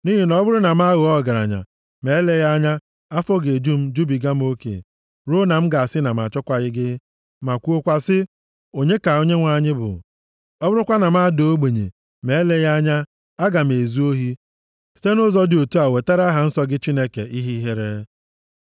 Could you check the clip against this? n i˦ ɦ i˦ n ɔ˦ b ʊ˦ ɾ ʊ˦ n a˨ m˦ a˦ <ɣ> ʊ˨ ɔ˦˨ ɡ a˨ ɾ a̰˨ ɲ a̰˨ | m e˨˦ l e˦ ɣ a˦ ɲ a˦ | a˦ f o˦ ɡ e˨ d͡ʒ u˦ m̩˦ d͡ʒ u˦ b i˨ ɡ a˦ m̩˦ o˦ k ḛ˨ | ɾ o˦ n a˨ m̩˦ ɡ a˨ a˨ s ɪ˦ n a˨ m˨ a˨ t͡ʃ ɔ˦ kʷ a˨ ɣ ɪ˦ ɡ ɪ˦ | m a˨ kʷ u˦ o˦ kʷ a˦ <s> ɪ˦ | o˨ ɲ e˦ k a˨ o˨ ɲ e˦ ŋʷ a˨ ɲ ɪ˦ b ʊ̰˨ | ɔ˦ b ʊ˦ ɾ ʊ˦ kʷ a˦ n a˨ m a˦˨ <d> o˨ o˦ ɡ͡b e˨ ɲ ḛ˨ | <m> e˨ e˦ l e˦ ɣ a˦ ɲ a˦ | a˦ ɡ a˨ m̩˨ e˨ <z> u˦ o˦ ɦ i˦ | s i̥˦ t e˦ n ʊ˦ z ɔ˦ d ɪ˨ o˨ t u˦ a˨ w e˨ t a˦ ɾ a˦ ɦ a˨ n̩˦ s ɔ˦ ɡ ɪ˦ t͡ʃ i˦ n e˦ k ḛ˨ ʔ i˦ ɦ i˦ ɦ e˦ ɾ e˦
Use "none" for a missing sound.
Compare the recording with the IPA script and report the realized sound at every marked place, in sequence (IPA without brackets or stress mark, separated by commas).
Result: ɣ, s, d, m, z